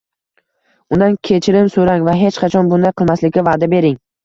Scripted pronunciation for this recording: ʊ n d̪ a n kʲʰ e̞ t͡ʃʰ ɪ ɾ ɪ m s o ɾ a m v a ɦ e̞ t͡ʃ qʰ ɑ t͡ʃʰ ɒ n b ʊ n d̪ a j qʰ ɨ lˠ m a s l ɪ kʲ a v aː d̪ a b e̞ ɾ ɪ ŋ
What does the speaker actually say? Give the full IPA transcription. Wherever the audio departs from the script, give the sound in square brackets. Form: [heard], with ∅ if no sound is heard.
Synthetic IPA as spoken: ʊ n d̪ a n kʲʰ e̞ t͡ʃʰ ɪ ɾ ɪ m s o ɾ a [ŋ] v a ɦ e̞ t͡ʃ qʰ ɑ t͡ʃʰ ɒ n b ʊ n d̪ a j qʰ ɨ lˠ m a s l ɪ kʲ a v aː d̪ a b e̞ ɾ ɪ ŋ